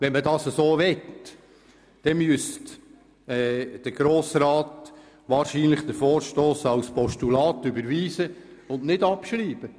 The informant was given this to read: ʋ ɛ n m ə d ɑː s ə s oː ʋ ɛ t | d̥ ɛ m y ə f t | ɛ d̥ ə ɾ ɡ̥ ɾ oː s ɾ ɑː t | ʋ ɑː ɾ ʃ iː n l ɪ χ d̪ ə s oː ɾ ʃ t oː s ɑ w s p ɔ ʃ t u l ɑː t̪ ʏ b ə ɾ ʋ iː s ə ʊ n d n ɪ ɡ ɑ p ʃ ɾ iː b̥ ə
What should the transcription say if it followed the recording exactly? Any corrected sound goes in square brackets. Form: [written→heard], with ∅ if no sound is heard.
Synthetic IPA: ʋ ɛ n m ə d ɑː s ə s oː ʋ ɛ t | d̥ ɛ m y ə [f→s] t | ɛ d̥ ə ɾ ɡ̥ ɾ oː s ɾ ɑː t | ʋ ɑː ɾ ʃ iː n l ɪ χ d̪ ə [s→f] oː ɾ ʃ t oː s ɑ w s p ɔ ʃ t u l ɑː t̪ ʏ b ə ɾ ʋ iː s ə ʊ n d n ɪ [ɡ→d] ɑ p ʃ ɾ iː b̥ ə